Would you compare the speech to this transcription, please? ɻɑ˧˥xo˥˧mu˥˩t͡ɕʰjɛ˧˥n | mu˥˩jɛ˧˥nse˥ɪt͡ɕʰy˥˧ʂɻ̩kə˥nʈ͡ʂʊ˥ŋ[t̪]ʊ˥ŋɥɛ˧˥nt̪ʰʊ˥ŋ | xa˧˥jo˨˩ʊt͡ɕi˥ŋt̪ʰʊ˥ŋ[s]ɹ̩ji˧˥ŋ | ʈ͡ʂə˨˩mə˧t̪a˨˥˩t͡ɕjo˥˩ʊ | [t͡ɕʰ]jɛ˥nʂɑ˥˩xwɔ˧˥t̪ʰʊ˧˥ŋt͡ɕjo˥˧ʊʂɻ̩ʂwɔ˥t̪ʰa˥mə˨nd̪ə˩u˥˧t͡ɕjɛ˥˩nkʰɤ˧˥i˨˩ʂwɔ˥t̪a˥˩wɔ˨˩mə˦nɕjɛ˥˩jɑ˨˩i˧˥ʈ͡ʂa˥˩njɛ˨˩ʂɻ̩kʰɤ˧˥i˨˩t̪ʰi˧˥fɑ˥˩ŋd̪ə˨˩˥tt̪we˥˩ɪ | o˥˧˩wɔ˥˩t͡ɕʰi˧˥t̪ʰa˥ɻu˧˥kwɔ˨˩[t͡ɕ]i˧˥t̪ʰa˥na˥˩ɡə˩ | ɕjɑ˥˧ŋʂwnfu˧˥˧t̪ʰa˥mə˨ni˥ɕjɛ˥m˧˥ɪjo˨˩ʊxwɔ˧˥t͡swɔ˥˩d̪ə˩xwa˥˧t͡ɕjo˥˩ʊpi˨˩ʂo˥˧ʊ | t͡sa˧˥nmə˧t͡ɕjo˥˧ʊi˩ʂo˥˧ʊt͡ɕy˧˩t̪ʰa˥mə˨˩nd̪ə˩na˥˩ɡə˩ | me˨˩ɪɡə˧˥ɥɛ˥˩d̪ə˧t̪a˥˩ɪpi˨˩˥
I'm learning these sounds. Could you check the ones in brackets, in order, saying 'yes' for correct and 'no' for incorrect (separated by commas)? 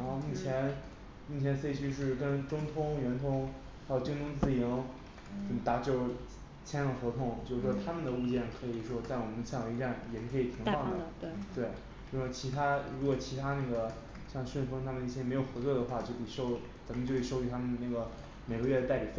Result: no, no, yes, no